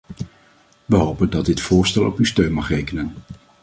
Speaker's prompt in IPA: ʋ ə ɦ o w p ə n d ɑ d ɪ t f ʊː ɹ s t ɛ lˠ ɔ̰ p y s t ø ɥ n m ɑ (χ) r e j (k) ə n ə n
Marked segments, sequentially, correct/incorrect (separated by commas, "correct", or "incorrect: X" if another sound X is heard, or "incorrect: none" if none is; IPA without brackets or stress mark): correct, correct